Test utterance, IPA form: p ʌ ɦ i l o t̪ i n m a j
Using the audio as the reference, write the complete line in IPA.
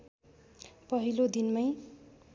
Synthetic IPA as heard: p ʌ ɦ i l o d̪ i n m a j